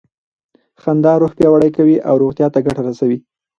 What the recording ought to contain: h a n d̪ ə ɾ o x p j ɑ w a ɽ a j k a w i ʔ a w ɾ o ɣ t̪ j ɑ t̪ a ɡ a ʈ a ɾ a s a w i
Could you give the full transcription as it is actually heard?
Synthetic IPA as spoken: x a n d̪ ɑ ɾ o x p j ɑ w a ɽ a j k a w i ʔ a w ɾ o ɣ t̪ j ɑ t̪ a ɡ a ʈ a ɾ a s a w i